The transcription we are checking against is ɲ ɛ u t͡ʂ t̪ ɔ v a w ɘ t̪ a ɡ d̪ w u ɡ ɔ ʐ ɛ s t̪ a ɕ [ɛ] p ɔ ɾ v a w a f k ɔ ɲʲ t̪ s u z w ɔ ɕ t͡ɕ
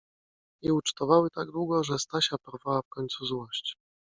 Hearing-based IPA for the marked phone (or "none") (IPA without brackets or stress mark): a